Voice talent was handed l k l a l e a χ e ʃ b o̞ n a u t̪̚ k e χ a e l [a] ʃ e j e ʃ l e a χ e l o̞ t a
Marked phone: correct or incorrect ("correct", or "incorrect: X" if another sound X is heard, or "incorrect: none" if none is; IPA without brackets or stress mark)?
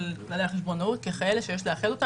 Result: incorrect: e